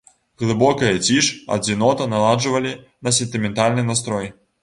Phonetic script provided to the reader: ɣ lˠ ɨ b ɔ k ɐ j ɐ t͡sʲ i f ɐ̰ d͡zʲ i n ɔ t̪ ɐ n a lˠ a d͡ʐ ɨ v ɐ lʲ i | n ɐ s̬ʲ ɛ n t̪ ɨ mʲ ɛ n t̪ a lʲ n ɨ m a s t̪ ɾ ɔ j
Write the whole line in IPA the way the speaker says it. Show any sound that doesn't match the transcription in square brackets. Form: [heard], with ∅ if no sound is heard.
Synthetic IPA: ɣ lˠ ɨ b ɔ k ɐ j ɐ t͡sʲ i [ʂ] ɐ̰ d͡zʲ i n ɔ t̪ ɐ n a lˠ a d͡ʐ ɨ v ɐ lʲ i | n ɐ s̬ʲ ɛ n t̪ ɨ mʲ ɛ n t̪ a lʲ n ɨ [n] a s t̪ ɾ ɔ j